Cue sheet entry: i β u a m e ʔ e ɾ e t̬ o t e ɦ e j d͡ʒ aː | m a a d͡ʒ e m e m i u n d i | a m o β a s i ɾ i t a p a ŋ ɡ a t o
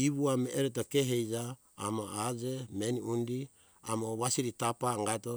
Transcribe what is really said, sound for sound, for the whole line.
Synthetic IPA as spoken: i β u a m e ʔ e ɾ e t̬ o k e ɦ e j d͡ʒ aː | m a a d͡ʒ e m e n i u n d i | a m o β a s i ɾ i t a p a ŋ ɡ a t o